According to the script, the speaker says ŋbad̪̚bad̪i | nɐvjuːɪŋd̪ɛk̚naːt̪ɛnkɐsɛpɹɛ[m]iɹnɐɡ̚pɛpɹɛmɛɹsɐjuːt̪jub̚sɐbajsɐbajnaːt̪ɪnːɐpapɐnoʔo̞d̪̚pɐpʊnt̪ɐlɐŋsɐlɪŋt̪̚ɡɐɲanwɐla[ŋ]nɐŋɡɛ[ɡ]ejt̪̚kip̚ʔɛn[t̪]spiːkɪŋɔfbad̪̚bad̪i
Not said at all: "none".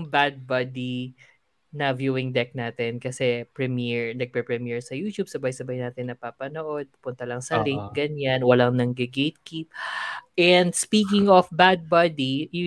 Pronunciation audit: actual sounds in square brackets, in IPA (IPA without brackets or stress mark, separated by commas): m, ŋ, ɡ, d̪